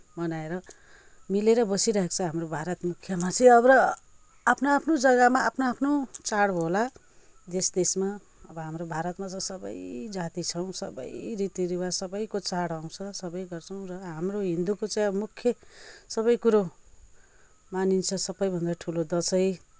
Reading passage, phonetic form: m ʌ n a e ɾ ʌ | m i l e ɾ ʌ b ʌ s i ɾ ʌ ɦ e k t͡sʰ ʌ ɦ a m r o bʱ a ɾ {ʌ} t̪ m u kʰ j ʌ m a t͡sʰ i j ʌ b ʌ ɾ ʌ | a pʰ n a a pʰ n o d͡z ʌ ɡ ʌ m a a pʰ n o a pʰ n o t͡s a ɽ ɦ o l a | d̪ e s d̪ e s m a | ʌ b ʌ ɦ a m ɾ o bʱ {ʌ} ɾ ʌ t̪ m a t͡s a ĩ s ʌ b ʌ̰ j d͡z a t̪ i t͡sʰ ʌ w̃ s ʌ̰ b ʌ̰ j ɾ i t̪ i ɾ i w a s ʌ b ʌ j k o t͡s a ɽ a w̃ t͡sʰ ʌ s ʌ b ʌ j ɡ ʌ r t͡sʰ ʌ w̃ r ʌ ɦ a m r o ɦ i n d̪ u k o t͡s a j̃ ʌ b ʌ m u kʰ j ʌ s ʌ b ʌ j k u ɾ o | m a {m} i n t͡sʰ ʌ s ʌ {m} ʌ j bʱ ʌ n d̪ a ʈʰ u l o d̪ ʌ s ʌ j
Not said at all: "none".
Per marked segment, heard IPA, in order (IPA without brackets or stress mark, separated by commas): ʌ, a, n, b